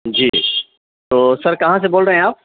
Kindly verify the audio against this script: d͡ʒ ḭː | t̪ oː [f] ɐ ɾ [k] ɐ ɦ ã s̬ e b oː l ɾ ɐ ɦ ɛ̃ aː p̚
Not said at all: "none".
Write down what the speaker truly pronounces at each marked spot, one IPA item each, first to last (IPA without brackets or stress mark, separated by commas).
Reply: s, k